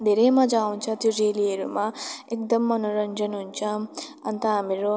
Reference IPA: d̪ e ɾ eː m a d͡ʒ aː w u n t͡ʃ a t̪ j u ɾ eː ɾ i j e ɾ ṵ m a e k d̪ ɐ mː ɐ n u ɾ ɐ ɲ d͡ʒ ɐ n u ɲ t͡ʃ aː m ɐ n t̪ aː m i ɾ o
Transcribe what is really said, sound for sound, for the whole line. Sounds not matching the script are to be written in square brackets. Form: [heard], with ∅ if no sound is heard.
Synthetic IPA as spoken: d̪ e ɾ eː m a d͡ʒ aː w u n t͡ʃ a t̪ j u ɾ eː [l] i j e ɾ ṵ m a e k d̪ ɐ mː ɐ n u ɾ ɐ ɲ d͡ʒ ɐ n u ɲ t͡ʃ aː m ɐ n t̪ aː m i ɾ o